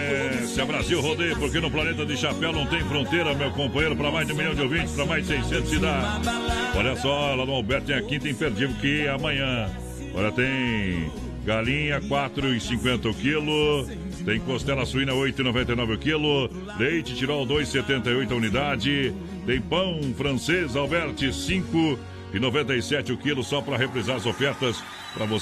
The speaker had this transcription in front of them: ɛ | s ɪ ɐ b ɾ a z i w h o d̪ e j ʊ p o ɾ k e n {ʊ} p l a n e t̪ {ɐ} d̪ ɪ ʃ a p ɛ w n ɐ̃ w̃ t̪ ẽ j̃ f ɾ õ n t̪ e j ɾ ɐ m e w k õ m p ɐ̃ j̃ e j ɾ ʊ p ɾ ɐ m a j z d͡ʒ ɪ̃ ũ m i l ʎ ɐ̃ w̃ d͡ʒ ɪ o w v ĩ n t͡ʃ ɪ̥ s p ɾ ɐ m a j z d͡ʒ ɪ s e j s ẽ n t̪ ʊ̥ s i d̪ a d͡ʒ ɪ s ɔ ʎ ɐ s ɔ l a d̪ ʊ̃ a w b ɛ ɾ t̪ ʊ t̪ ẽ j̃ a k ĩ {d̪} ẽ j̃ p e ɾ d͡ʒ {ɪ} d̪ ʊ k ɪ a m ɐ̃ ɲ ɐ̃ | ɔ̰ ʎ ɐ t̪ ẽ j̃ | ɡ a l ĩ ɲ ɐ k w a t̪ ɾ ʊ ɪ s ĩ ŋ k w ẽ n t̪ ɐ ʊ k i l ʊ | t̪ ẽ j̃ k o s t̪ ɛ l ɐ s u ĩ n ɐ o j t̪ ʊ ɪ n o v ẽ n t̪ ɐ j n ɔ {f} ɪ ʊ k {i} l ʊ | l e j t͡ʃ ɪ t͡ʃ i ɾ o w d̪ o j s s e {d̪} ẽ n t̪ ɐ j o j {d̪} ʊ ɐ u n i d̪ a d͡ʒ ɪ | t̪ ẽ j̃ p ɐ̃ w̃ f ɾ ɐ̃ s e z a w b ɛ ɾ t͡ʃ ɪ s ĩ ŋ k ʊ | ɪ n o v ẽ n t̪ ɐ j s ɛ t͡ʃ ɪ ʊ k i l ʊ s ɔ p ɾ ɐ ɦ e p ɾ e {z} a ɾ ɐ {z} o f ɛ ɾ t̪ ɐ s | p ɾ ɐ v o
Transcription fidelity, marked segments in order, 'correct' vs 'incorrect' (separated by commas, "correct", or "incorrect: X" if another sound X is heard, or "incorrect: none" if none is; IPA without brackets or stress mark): correct, correct, incorrect: t̪, incorrect: i, incorrect: v, correct, incorrect: t̪, incorrect: t̪, correct, correct